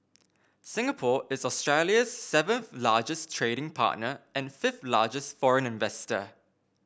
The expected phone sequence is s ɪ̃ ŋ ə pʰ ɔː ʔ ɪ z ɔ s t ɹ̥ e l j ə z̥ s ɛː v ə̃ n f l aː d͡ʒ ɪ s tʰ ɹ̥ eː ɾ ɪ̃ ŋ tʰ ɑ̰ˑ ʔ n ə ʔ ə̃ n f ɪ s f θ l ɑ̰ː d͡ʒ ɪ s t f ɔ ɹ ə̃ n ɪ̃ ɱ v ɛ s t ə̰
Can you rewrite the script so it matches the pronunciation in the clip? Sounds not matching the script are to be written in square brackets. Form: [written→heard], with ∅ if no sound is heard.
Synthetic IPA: s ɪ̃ ŋ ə pʰ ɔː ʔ ɪ z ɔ s t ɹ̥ e l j ə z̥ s [ɛː→ɛ] v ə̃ n [f→θ] l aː d͡ʒ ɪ s tʰ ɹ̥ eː ɾ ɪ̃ ŋ [tʰ→pʰ] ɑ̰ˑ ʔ n ə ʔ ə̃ n f ɪ [s→∅] f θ l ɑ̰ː d͡ʒ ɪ s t f ɔ ɹ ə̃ n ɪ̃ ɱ v ɛ s t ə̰